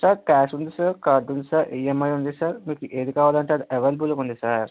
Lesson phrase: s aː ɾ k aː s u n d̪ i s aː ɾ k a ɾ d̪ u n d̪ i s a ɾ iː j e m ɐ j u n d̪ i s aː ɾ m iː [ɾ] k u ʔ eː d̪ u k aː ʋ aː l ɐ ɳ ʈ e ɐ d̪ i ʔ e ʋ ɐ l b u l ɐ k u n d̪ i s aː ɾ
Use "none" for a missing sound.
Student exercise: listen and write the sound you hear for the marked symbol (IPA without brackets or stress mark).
none